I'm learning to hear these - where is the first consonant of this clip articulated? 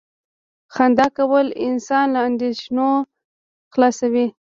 velum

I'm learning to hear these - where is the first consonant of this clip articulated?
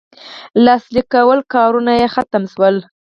tongue tip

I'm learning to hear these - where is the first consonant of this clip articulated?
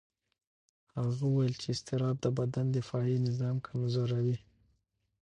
throat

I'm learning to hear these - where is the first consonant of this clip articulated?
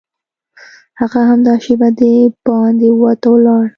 throat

